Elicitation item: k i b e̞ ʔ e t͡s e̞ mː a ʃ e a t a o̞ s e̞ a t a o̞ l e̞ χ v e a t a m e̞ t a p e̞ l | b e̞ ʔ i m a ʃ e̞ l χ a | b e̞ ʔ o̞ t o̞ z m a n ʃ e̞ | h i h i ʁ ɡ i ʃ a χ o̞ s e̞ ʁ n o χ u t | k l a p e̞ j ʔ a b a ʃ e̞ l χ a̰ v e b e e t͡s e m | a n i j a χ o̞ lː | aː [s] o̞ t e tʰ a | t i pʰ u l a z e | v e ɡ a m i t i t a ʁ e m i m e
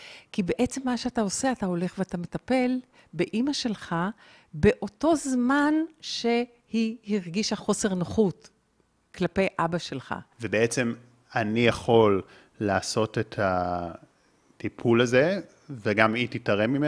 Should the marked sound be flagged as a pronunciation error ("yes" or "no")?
no